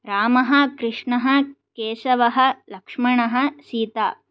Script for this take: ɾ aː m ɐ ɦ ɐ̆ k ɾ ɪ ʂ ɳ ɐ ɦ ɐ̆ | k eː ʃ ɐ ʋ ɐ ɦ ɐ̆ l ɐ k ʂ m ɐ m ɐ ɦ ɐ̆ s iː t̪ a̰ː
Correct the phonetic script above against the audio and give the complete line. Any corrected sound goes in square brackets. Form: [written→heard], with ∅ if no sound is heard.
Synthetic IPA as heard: ɾ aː m ɐ ɦ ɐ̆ k ɾ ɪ ʂ ɳ ɐ ɦ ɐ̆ | k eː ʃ ɐ ʋ ɐ ɦ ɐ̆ l ɐ k ʂ m ɐ [m→ɳ] ɐ ɦ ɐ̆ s iː t̪ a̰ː